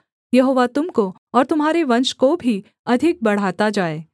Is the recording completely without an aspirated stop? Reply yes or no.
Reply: yes